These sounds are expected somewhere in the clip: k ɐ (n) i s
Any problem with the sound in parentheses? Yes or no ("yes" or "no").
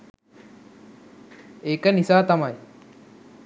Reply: no